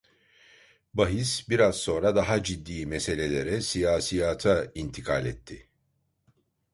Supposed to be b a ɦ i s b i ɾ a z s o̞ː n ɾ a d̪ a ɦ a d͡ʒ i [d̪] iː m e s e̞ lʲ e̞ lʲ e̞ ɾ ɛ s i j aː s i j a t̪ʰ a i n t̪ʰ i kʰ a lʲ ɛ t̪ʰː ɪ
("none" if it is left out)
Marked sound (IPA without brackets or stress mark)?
d̪ː